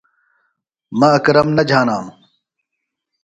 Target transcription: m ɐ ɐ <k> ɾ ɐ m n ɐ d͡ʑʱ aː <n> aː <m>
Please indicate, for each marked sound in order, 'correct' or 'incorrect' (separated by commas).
correct, correct, correct